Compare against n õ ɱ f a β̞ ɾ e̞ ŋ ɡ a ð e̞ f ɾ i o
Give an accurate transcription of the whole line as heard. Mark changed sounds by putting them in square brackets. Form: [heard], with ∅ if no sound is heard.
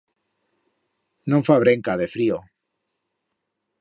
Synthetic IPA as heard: n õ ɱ f a β̞ ɾ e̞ ŋ [k] a ð e̞ f ɾ i o